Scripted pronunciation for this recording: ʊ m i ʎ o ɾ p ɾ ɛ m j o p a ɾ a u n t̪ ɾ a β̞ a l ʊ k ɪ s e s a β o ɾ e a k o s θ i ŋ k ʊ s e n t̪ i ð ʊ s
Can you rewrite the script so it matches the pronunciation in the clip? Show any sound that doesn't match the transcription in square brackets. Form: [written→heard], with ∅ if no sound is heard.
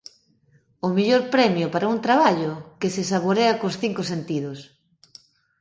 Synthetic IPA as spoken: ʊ m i ʎ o ɾ p ɾ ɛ m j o p a ɾ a u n t̪ ɾ a β̞ a [l→ʎ] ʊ k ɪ s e s a β o ɾ e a k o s θ i ŋ k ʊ s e n t̪ i ð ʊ s